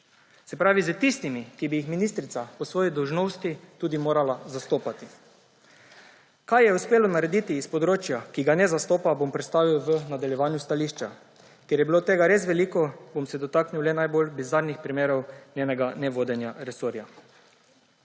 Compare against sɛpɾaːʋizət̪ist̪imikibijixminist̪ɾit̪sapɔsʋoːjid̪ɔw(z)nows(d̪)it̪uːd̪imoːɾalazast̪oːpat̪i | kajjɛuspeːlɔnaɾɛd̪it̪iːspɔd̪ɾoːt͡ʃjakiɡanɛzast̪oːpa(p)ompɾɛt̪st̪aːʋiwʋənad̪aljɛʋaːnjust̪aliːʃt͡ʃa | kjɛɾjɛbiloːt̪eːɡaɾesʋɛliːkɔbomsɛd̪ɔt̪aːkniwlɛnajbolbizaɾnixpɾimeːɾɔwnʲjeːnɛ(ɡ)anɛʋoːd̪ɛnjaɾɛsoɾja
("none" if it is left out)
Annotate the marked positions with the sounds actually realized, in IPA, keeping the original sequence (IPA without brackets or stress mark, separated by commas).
ʒ, t̪, b, ɡ